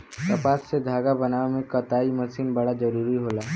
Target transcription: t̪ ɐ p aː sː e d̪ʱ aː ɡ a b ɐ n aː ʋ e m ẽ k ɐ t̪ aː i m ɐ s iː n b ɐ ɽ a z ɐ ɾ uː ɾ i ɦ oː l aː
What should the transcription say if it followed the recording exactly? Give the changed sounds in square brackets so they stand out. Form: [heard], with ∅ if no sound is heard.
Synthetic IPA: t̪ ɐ p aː sː e d̪ʱ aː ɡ a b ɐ n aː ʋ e m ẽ k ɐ t̪ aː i m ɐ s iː n b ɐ ɽ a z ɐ ɾ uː ɾ i ɦ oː l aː